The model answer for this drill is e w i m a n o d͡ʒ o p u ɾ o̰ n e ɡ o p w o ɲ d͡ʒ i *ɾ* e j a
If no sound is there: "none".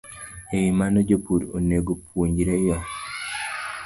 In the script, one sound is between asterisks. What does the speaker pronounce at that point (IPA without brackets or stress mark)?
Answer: ɾ